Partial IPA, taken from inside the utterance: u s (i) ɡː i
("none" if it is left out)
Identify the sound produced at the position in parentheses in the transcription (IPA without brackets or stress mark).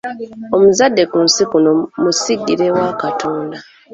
i